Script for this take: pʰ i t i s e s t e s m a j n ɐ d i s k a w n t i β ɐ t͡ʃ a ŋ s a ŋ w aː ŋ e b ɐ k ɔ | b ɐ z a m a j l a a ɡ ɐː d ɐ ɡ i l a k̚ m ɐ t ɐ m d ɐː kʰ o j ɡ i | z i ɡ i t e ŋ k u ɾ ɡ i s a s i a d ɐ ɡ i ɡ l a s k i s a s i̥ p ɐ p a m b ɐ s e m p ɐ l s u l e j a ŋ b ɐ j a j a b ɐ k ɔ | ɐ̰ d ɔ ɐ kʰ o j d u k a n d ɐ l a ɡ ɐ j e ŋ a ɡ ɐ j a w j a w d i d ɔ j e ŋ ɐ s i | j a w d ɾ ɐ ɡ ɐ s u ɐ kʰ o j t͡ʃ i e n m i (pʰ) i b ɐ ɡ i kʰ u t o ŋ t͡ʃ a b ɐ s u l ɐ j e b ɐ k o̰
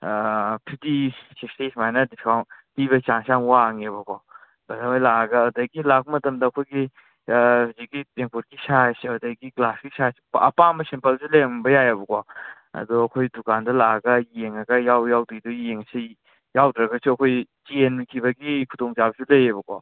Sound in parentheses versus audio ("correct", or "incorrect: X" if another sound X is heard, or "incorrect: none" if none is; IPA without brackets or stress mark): incorrect: kʰ